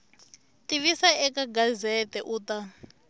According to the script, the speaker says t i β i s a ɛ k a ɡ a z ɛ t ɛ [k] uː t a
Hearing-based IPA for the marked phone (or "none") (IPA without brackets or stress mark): ʔ